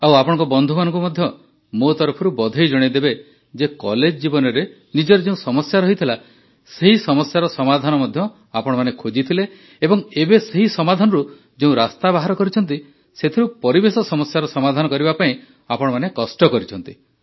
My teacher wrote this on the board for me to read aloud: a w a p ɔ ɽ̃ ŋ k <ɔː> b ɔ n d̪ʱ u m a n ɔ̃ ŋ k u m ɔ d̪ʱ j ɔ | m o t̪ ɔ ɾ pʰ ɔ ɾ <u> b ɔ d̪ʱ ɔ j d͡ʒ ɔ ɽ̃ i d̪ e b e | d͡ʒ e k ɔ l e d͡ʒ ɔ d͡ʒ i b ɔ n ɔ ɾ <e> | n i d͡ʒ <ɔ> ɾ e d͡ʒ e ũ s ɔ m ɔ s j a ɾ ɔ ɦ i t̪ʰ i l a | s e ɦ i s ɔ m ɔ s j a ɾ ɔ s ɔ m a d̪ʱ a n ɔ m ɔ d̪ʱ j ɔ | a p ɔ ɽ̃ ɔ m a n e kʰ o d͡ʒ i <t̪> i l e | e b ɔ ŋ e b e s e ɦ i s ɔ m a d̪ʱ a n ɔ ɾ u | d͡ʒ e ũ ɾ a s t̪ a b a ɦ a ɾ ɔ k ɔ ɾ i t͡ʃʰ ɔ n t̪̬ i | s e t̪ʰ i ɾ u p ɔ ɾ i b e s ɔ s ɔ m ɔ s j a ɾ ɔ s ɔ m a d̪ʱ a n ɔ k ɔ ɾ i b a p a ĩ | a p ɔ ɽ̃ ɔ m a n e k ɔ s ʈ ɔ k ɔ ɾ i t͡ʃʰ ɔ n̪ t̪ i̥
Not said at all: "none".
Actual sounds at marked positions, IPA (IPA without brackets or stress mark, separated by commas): ɔ, u, e, ɔ, t̪ʰ